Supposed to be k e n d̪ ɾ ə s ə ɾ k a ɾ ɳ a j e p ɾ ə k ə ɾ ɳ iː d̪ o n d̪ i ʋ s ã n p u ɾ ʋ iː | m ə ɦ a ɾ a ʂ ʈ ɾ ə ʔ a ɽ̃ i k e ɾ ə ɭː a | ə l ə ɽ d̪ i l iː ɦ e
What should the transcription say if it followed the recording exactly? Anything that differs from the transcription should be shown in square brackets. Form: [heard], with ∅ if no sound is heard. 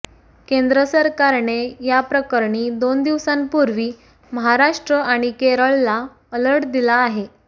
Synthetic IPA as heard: k e n d̪ ɾ ə s ə ɾ k a ɾ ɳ [e] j [a] p ɾ ə k ə ɾ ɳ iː d̪ o n d̪ i ʋ s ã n p u ɾ ʋ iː | m ə ɦ a ɾ a ʂ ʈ ɾ ə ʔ a ɽ̃ i k e ɾ ə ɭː a | ə l ə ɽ d̪ i l [aː] ɦ e